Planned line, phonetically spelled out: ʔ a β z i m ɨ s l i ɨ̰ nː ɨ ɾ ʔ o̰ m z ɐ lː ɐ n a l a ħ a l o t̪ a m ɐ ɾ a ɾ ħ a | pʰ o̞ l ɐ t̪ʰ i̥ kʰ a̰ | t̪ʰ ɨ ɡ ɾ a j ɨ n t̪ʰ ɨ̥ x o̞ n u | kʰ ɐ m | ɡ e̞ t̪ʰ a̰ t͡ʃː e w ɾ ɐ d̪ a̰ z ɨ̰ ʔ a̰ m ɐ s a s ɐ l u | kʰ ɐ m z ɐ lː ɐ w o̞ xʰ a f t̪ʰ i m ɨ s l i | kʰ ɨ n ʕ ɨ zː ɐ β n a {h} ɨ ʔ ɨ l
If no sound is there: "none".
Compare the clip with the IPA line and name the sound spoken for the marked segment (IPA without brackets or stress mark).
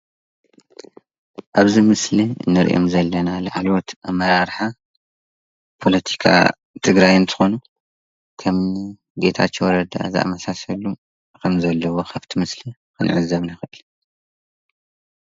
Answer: x